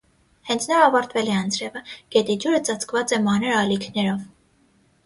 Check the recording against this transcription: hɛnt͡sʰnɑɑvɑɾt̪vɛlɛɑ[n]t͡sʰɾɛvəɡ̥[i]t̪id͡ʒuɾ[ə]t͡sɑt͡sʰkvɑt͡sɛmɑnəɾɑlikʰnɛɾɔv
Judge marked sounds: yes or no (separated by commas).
yes, no, yes